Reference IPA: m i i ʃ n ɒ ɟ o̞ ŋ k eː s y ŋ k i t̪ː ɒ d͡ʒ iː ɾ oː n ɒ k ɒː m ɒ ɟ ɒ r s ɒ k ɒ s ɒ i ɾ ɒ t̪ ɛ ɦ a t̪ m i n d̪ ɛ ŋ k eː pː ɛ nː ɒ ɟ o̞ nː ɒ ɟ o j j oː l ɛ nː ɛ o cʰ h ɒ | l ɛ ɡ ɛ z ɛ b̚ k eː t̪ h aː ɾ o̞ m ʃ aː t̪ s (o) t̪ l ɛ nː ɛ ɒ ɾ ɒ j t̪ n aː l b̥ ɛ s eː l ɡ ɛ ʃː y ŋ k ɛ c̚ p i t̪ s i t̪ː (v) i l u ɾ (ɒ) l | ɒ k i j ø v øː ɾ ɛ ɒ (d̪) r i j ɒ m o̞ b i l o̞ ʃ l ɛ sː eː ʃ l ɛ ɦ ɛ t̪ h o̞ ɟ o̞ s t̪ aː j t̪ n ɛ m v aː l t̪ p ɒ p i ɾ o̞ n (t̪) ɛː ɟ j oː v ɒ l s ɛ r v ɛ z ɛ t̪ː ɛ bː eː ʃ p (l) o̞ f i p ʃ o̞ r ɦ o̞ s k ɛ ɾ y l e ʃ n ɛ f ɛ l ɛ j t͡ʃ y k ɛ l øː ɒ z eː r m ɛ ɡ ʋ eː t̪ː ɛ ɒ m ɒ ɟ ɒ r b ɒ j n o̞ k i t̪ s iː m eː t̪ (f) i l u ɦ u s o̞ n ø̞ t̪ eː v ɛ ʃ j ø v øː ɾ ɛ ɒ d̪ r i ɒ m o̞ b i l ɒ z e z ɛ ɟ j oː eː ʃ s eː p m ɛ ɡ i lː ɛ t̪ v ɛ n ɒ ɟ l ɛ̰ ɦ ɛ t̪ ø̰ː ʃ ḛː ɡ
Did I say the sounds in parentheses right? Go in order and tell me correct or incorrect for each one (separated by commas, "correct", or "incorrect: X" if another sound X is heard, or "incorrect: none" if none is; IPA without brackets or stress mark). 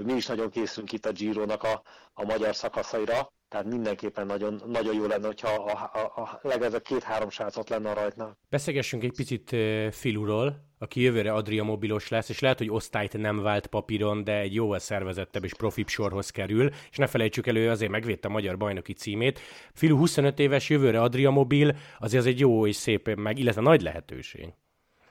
correct, incorrect: f, incorrect: o, correct, incorrect: d̪, incorrect: r, correct